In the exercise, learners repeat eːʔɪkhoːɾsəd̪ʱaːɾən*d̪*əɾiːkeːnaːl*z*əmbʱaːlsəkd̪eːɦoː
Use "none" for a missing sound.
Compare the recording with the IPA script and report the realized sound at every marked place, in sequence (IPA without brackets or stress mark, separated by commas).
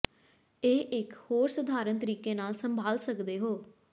t̪, s